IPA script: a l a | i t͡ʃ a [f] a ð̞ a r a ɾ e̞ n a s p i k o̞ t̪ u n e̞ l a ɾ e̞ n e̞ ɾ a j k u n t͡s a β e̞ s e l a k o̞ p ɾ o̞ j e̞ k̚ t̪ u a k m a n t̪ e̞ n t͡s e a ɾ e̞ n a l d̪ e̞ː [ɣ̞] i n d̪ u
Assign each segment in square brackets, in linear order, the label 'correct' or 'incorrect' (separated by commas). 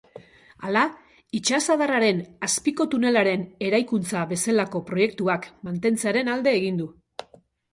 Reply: incorrect, correct